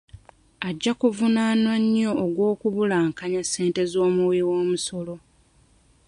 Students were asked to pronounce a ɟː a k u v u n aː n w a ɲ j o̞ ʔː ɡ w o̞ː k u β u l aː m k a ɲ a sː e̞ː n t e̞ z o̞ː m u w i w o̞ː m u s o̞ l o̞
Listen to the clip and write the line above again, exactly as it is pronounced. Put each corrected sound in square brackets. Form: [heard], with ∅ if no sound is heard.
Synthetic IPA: a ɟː a k u v u n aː n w a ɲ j o̞ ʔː ɡ w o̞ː k u β u l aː [ŋ] k a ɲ a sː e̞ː n t e̞ z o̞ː m u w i w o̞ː m u s o̞ l o̞